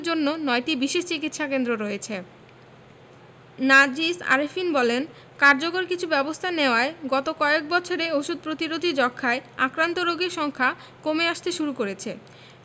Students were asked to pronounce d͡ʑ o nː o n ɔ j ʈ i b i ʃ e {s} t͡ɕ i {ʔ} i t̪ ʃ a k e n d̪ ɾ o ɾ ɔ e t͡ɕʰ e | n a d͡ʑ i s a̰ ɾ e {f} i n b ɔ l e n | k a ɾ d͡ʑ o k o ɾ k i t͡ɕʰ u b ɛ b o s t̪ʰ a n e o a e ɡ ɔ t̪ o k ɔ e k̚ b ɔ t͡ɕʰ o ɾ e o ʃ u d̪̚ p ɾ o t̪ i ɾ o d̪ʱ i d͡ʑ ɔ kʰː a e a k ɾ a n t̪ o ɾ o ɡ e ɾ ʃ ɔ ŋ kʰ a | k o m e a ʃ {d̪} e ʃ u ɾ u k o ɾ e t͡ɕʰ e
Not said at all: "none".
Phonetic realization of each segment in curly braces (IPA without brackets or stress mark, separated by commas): ʃ, k, f, t̪